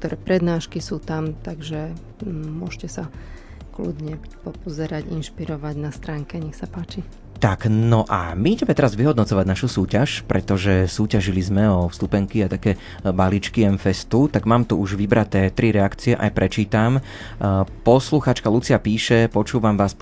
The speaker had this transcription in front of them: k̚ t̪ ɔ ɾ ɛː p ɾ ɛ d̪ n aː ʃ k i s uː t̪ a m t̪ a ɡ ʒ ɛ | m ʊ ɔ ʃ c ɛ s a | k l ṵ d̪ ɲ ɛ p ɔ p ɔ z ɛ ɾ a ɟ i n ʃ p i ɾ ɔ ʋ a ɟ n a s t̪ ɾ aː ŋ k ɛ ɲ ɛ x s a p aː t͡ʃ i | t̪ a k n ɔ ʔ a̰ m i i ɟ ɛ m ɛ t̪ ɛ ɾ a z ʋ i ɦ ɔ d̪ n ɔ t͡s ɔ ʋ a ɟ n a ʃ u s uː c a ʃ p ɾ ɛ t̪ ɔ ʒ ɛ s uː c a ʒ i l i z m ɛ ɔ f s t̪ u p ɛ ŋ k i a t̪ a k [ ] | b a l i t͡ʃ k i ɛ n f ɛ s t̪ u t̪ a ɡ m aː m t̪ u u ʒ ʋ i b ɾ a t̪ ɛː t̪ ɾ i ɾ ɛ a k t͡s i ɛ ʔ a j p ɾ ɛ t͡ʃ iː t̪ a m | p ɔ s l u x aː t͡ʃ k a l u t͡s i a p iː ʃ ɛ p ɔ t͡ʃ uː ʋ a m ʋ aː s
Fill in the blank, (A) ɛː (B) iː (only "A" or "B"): A